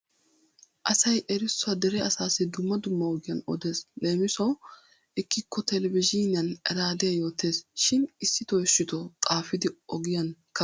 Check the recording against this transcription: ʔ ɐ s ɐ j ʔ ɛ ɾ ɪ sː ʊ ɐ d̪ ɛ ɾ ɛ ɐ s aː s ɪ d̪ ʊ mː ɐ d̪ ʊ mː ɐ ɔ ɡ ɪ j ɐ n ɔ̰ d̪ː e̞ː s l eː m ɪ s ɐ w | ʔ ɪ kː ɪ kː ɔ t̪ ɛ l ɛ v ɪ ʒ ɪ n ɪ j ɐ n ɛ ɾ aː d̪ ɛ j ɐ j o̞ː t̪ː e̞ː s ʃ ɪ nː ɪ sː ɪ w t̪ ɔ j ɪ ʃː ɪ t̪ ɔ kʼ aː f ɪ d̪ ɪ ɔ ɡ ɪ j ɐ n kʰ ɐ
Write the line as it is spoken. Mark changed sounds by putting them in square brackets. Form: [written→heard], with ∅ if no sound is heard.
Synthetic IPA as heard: ʔ ɐ s ɐ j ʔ ɛ ɾ ɪ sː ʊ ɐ d̪ ɛ ɾ ɛ ɐ s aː s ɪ d̪ ʊ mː ɐ d̪ ʊ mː ɐ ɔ ɡ ɪ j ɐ n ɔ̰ [d̪ː→d̪] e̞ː s l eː m ɪ s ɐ w | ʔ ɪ kː ɪ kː ɔ t̪ ɛ l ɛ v ɪ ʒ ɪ n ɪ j ɐ n ɛ ɾ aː d̪ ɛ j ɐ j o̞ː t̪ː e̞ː s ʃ ɪ [nː→n] ɪ sː ɪ [w→∅] t̪ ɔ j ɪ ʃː ɪ t̪ ɔ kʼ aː f ɪ d̪ ɪ ɔ ɡ ɪ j ɐ n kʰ ɐ